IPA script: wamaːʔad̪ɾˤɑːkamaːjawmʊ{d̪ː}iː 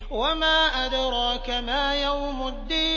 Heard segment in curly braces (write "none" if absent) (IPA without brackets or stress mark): d̪ː